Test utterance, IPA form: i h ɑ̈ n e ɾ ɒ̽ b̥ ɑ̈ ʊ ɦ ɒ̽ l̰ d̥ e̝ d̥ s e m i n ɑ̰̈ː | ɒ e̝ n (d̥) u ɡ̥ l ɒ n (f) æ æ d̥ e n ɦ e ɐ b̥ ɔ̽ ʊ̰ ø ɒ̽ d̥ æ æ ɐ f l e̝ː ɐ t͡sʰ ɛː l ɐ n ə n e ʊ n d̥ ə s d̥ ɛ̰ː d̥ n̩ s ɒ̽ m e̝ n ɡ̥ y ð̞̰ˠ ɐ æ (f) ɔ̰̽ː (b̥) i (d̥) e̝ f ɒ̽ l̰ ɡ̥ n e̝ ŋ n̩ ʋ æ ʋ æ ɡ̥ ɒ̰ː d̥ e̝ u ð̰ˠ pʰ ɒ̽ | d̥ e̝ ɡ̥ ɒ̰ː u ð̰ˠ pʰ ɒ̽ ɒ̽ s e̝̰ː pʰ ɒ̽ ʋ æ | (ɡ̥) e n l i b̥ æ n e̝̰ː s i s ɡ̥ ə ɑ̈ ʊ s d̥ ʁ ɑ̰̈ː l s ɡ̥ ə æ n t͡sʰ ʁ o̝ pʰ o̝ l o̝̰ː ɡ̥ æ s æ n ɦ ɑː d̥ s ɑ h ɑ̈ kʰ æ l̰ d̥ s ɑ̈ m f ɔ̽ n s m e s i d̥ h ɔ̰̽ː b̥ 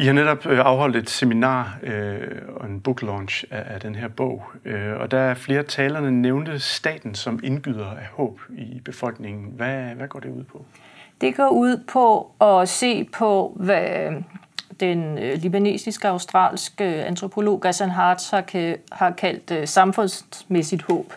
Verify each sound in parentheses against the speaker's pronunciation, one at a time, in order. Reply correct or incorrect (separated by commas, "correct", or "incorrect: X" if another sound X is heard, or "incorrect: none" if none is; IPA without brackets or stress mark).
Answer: incorrect: b̥, incorrect: ɕ, incorrect: h, correct, incorrect: b̥, incorrect: d̥